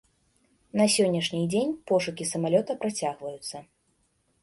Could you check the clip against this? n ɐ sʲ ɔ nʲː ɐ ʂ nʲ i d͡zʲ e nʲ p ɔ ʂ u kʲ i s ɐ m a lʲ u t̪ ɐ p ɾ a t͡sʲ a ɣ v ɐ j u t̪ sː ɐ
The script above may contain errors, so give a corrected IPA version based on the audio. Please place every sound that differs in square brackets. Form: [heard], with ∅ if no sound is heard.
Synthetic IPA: n ɐ sʲ ɔ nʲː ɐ ʂ nʲ i d͡zʲ e nʲ p ɔ ʂ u kʲ i s ɐ m a lʲ [ɔ] t̪ ɐ p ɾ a t͡sʲ a ɣ v ɐ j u t̪ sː ɐ